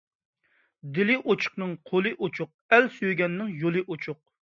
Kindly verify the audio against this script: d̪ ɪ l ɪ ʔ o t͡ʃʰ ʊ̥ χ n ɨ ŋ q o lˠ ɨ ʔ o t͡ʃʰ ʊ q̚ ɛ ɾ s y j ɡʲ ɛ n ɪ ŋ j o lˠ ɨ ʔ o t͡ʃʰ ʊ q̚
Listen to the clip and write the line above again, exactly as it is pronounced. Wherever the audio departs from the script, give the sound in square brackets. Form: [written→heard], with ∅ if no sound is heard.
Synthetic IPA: d̪ ɪ l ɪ ʔ o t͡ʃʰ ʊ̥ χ n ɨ ŋ [q→qʰ] o lˠ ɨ ʔ o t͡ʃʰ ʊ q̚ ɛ [ɾ→l] s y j ɡʲ ɛ [n→nː] ɪ ŋ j o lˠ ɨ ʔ o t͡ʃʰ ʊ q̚